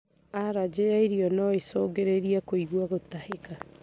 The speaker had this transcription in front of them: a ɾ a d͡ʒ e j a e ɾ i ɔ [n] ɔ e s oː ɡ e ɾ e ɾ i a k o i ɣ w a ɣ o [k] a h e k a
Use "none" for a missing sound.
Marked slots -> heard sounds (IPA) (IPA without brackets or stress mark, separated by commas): n, t